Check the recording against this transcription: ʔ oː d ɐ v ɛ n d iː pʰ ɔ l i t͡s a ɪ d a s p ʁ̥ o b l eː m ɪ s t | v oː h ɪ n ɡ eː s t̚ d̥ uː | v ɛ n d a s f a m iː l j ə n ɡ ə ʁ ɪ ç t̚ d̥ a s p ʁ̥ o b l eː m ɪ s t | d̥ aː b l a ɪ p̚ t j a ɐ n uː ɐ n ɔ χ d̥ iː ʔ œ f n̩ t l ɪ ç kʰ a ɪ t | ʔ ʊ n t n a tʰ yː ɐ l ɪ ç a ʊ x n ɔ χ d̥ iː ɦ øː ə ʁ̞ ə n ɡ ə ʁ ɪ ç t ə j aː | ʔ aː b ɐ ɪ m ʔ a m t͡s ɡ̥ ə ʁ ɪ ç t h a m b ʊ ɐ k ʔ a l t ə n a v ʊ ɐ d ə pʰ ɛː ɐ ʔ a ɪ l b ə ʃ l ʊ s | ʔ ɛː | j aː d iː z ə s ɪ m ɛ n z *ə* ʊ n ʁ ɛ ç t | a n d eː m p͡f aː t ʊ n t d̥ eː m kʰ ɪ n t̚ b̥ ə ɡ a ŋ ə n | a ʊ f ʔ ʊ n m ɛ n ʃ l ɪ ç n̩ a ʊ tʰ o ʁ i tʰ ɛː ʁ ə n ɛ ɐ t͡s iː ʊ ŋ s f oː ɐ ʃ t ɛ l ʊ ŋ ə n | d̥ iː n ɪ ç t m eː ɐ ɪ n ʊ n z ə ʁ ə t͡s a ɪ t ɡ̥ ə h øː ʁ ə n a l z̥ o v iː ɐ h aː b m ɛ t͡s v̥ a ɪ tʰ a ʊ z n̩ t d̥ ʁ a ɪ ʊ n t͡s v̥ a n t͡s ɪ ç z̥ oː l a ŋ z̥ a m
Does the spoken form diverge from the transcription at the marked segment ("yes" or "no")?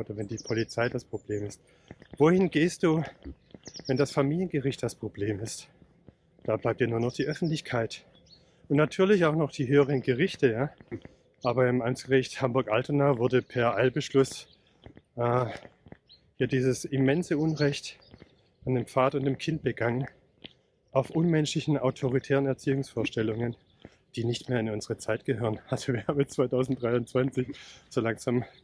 no